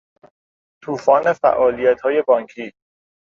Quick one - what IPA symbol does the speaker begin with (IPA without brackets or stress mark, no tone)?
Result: t̪ʰ